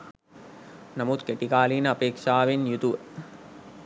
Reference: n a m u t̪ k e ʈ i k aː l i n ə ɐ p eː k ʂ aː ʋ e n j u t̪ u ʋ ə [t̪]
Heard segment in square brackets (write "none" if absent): none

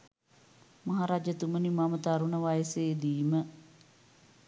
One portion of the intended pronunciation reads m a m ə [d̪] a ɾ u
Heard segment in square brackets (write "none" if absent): t̪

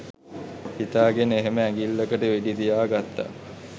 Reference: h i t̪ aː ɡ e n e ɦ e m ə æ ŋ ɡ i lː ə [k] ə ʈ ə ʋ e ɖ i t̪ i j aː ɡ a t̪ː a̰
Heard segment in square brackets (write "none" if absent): k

